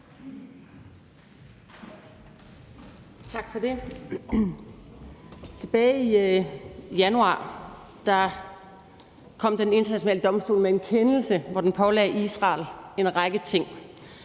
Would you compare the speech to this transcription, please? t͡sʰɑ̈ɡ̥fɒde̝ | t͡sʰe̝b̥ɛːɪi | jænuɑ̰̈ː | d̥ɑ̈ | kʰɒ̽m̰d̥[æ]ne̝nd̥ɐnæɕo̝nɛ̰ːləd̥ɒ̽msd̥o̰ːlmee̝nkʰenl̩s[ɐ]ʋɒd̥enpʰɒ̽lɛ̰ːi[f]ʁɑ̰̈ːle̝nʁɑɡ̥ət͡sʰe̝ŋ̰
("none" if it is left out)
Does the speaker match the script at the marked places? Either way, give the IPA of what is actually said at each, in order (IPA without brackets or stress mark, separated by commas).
e, ə, s